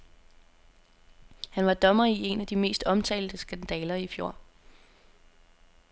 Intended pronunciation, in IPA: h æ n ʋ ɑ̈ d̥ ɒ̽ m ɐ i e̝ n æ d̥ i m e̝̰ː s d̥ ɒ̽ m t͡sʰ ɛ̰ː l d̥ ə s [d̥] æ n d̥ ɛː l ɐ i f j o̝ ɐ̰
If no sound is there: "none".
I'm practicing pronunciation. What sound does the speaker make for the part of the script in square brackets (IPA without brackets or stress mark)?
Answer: ɡ̥